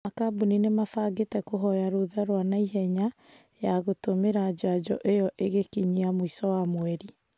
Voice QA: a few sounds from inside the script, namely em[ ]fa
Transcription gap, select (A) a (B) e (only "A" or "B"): A